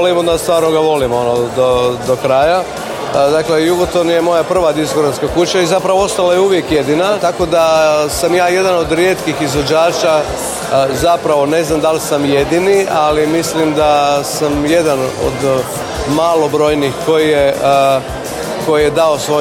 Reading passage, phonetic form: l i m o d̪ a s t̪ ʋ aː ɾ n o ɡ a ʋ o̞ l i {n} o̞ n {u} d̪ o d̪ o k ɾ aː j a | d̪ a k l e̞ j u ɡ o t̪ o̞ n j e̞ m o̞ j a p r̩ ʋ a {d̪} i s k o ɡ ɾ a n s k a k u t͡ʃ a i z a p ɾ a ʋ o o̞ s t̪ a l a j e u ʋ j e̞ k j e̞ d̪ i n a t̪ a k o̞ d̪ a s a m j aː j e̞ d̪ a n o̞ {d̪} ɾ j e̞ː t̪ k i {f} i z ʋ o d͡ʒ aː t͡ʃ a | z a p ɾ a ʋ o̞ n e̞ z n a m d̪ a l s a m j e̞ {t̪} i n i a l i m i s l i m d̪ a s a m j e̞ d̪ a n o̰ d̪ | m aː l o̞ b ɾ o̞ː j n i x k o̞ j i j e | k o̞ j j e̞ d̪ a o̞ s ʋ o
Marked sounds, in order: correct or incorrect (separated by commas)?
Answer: incorrect, incorrect, correct, correct, incorrect, incorrect